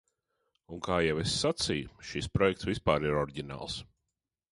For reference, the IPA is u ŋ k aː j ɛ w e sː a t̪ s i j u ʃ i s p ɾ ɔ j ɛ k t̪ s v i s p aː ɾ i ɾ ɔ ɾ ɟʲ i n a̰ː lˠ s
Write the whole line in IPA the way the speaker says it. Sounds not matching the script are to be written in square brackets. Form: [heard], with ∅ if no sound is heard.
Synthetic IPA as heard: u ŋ k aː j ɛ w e sː a t̪ s i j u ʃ i s p ɾ ɔ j ɛ k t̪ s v i s p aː ɾ i ɾ ɔ ɾ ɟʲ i n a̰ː lˠ s